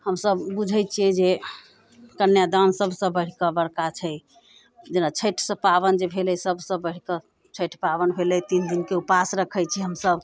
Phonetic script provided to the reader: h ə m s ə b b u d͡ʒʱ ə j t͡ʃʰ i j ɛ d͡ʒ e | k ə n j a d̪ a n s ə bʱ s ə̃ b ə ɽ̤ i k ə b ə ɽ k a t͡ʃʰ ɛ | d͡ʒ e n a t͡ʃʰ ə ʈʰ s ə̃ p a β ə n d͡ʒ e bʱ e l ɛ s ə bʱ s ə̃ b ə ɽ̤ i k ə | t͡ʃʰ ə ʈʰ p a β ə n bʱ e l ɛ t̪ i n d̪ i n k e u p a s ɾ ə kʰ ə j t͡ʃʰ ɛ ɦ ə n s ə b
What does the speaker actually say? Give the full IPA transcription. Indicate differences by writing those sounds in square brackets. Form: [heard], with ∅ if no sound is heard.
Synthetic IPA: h ə m s ə b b u d͡ʒʱ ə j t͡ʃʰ i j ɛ d͡ʒ e | k ə n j a d̪ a n s ə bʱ s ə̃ b ə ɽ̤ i k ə b ə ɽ k a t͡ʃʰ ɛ | d͡ʒ e n a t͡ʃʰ ə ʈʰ s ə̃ p a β ə n d͡ʒ e bʱ e l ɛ s ə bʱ s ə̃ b ə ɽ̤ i k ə | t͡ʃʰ ə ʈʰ p a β ə n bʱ e l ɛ t̪ i n d̪ i n k e u p a s ɾ ə kʰ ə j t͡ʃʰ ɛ ɦ ə [m] s ə b